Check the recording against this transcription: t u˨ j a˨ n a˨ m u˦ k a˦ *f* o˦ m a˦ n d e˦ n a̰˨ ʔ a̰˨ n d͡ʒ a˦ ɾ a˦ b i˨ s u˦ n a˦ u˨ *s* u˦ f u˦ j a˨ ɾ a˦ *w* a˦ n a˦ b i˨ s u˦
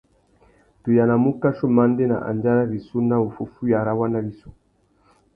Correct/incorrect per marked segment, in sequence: incorrect: ʃ, incorrect: f, correct

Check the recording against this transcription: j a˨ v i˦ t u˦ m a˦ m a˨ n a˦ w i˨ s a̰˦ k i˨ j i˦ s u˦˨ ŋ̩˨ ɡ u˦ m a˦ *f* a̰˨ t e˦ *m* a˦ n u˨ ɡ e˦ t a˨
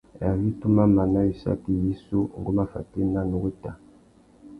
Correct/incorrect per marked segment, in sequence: correct, incorrect: n

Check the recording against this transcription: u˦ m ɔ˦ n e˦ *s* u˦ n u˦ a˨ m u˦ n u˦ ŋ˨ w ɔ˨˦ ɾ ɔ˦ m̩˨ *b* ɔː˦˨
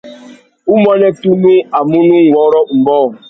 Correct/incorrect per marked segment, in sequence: incorrect: t, correct

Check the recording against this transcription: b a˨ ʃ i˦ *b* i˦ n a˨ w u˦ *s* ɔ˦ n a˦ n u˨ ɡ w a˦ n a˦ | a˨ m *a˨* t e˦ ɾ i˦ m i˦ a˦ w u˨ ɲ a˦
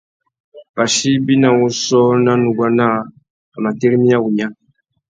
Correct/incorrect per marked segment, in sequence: correct, correct, correct

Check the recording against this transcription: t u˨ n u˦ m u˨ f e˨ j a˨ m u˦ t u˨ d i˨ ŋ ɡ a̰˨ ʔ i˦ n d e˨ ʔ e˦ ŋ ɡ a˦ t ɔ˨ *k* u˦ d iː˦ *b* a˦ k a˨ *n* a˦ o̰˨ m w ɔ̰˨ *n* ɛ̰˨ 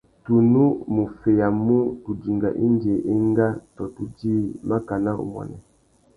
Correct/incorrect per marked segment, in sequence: incorrect: t, incorrect: m, correct, correct

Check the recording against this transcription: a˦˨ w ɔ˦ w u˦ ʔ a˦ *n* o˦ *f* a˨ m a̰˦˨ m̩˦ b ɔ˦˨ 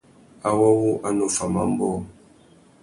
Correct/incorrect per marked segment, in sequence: correct, correct

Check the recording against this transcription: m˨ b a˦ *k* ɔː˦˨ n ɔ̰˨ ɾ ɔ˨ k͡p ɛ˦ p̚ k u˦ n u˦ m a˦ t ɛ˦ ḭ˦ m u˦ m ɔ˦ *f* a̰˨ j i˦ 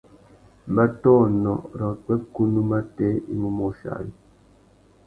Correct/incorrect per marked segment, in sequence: incorrect: t, incorrect: ʃ

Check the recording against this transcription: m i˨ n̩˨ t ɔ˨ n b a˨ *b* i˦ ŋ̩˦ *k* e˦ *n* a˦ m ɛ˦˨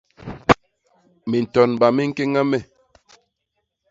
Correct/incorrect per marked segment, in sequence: incorrect: m, correct, incorrect: ŋ

